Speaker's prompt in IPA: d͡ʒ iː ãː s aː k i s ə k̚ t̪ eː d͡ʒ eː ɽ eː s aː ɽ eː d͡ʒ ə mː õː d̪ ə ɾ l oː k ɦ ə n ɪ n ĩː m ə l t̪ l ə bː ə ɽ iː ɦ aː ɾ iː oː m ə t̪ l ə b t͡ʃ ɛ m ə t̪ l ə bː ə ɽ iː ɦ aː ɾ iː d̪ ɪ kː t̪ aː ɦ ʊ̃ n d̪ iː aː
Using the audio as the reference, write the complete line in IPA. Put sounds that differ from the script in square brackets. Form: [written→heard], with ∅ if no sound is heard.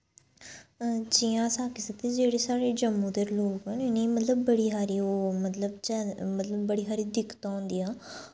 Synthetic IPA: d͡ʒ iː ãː s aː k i s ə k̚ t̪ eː d͡ʒ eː ɽ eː s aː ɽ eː d͡ʒ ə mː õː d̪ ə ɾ l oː k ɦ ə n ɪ n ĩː m ə [l→∅] t̪ l ə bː ə ɽ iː ɦ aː ɾ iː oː m ə t̪ l ə b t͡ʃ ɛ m ə t̪ l ə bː ə ɽ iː ɦ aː ɾ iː d̪ ɪ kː t̪ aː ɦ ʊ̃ n d̪ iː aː